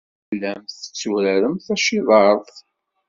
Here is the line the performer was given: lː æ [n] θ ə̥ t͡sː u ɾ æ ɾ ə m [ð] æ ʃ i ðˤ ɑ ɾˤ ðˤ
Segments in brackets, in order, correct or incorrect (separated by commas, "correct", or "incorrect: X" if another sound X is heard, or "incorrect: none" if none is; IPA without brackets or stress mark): incorrect: m, incorrect: θ